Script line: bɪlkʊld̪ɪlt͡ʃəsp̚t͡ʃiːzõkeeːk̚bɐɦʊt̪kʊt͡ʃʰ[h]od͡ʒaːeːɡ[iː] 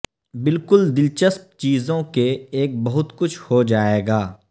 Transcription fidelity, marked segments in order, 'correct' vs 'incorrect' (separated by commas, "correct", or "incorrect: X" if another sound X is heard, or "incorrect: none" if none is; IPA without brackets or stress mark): correct, incorrect: aː